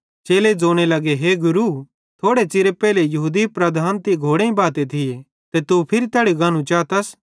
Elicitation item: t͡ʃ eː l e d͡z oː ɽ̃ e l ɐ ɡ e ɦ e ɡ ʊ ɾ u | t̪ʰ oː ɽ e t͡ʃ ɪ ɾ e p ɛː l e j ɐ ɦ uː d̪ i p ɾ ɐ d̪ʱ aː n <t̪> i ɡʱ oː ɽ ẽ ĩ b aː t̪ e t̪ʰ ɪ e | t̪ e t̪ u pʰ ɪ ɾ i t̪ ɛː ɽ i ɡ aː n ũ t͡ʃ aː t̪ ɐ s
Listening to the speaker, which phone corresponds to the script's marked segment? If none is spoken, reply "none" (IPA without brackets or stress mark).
t̪